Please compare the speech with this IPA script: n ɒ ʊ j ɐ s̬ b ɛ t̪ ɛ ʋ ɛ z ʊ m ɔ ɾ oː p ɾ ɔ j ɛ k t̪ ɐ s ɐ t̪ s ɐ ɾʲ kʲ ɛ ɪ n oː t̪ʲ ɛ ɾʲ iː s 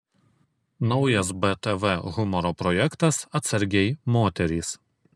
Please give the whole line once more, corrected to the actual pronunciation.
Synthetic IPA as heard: n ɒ ʊ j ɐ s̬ b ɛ t̪ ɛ ʋ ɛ ɣ ʊ m ɔ ɾ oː p ɾ ɔ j ɛ k t̪ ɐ s ɐ t̪ s ɐ ɾʲ ɡʲ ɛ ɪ m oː t̪ʲ ɛ ɾʲ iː s